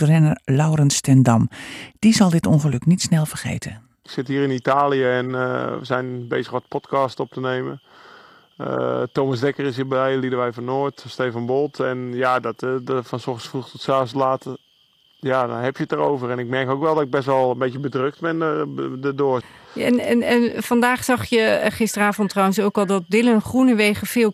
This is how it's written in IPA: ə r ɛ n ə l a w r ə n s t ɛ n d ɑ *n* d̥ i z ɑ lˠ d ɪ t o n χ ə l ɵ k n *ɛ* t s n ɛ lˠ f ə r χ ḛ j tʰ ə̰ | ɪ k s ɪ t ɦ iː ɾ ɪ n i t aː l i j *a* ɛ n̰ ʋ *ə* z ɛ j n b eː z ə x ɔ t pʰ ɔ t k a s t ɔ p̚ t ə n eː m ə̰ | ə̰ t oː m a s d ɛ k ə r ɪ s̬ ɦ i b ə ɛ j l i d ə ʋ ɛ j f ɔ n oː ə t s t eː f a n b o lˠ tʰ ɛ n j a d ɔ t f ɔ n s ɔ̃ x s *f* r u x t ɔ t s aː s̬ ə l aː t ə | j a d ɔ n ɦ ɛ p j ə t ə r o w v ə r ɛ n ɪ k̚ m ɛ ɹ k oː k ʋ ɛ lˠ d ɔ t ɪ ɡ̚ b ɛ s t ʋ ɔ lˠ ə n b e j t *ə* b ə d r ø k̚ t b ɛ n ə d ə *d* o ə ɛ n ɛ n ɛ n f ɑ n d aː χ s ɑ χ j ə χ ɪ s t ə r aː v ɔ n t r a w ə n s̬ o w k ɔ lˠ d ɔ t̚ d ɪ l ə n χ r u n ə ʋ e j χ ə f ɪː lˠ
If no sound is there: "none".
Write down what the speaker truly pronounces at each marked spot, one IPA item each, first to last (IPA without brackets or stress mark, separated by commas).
m, i, ə, ə, f, ə, d